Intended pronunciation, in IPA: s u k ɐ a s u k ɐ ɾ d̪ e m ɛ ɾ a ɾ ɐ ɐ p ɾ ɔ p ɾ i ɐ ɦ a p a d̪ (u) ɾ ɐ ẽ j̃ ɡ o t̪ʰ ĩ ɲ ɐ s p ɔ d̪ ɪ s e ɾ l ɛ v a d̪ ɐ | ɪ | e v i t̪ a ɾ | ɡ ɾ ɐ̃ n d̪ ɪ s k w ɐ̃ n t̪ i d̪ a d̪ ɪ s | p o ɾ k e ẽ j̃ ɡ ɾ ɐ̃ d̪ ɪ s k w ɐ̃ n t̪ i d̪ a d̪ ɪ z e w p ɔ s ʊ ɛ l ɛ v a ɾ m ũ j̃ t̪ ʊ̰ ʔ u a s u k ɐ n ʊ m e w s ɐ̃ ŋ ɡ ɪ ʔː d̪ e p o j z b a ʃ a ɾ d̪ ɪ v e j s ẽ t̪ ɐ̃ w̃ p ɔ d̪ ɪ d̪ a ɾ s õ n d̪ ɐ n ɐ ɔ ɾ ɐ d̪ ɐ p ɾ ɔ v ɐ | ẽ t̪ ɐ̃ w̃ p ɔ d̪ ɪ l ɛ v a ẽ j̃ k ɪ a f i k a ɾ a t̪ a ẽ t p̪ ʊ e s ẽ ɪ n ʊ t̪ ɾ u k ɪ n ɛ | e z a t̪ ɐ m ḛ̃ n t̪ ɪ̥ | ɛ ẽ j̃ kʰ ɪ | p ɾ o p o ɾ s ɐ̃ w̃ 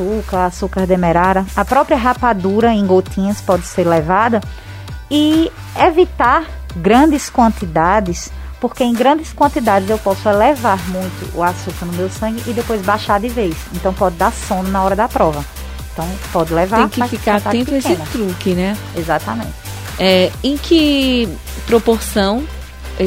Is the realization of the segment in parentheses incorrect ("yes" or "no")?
no